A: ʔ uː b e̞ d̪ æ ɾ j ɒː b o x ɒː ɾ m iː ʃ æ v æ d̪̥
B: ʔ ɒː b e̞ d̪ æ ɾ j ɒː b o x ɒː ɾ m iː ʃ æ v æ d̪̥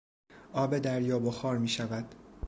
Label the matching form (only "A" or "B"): B